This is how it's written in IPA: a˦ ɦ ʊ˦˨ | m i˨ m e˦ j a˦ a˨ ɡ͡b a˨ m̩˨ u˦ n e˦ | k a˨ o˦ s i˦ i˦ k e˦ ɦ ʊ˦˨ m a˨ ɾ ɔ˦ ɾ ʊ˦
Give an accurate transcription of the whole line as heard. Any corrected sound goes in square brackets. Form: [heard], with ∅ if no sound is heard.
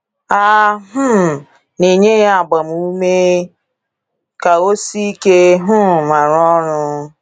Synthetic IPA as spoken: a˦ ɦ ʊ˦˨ | [n] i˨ [ɲ] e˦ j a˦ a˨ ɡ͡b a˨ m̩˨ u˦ [m] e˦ | k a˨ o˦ s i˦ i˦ k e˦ ɦ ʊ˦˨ m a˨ ɾ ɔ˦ ɾ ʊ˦